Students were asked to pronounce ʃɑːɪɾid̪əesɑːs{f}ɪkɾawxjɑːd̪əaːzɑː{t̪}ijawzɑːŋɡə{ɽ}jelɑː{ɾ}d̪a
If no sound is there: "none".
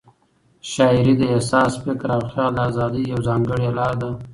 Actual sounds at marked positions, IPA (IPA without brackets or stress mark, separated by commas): f, d̪, ɽ, ɾ